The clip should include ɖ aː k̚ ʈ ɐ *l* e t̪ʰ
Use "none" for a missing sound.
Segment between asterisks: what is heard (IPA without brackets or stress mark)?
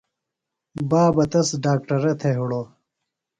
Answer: ɾ